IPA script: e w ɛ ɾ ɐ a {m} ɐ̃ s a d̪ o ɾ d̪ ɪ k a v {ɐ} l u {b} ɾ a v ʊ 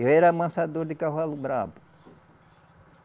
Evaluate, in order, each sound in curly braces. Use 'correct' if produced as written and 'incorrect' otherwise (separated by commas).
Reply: correct, incorrect, correct